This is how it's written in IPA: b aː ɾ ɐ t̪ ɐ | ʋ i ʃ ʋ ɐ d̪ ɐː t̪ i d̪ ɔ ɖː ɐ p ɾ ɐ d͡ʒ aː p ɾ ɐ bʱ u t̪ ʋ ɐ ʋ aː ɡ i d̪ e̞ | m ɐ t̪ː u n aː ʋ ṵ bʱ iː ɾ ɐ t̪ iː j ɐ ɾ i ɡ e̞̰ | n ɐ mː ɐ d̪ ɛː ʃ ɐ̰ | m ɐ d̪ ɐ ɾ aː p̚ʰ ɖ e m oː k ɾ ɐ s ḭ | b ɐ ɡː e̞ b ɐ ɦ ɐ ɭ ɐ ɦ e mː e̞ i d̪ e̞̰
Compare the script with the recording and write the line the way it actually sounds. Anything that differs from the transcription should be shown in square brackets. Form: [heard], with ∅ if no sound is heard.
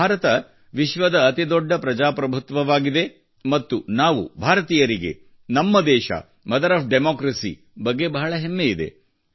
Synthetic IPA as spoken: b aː ɾ ɐ t̪ ɐ | ʋ i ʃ ʋ ɐ d̪ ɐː t̪ i d̪ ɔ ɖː ɐ p ɾ ɐ d͡ʒ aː p ɾ ɐ bʱ u t̪ ʋ ɐ ʋ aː ɡ i d̪ e̞ | m ɐ t̪ː u n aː ʋ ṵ bʱ [aː] ɾ ɐ t̪ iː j ɐ ɾ i ɡ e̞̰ | n ɐ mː ɐ d̪ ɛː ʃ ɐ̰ | m ɐ d̪ ɐ ɾ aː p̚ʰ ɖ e m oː k ɾ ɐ s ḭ | b ɐ ɡː e̞ b ɐ ɦ ɐ ɭ ɐ ɦ e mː e̞ i d̪ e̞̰